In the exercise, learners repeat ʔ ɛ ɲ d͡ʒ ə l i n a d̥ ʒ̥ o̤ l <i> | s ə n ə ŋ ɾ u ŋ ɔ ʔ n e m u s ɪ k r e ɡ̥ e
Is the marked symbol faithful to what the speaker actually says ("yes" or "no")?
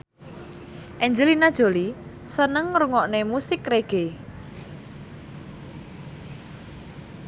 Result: yes